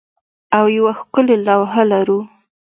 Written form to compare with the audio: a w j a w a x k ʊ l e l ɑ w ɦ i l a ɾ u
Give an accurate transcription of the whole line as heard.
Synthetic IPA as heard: a w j a w a x k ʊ l e l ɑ w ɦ a l a ɾ u